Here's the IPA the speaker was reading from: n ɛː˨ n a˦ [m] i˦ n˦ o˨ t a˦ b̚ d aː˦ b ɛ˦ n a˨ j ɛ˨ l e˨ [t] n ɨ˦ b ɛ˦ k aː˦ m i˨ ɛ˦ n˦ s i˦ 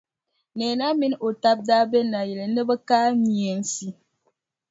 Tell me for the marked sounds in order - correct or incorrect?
correct, incorrect

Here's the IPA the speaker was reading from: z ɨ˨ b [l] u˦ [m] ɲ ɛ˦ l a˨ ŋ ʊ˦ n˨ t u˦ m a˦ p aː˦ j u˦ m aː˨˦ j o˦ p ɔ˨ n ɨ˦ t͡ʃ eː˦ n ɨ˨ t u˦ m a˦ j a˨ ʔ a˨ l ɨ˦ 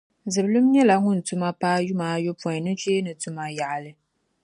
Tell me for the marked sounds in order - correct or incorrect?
correct, correct

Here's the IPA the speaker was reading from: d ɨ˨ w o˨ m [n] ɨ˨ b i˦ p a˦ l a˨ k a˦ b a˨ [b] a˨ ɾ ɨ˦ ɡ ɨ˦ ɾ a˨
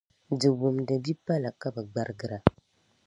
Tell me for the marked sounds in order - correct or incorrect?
incorrect, incorrect

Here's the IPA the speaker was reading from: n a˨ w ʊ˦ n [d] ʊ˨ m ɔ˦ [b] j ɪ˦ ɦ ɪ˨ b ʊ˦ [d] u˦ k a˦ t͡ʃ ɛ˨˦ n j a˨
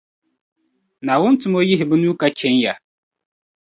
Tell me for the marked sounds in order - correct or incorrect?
incorrect, incorrect, incorrect

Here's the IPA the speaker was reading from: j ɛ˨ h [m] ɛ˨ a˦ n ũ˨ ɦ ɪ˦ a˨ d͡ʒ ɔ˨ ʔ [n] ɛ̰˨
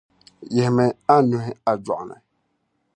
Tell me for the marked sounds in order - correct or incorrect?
correct, correct

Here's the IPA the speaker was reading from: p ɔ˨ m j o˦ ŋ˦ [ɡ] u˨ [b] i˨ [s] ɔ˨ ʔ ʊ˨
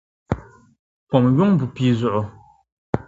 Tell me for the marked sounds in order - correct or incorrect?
incorrect, incorrect, incorrect

